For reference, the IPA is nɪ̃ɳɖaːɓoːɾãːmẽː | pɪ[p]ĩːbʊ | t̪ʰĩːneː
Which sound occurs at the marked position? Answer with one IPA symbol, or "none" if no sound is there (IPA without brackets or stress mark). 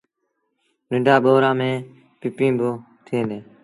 p